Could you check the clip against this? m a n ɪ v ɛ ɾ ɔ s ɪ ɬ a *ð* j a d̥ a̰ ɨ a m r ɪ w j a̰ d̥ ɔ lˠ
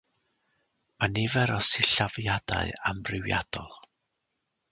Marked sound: incorrect: v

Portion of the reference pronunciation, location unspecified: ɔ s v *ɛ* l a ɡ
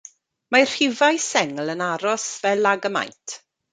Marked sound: correct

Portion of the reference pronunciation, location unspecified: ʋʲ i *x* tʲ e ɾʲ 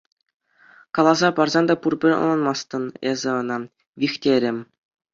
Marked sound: correct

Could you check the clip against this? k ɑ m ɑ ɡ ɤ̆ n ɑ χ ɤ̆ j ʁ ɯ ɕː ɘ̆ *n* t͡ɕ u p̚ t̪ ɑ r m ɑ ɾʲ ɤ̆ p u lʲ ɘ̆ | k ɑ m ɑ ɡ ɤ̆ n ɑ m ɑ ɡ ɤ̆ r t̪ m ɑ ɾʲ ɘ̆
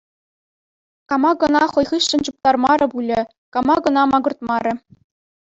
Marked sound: correct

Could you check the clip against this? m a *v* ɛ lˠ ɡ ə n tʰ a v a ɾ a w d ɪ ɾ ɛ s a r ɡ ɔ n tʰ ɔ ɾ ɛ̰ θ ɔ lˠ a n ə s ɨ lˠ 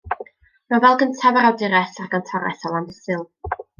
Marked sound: correct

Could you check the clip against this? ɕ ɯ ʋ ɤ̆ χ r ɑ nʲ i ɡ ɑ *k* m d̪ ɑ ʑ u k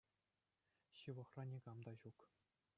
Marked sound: incorrect: none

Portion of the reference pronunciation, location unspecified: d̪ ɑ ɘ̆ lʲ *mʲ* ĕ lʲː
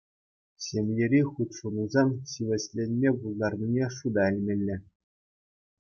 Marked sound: correct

